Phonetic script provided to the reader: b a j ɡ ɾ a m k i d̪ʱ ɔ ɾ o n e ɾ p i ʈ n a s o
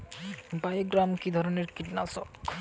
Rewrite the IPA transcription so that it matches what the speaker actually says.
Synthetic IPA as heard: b a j ɡ ɾ a m k i d̪ʱ ɔ ɾ o n e ɾ k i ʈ n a s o